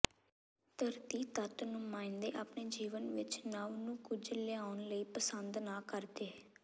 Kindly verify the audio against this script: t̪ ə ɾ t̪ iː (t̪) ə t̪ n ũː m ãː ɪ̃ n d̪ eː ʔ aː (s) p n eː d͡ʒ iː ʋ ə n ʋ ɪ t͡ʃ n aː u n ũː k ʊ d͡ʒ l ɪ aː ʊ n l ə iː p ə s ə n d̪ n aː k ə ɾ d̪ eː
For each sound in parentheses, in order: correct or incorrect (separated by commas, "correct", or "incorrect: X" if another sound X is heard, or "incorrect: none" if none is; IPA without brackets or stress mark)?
correct, incorrect: none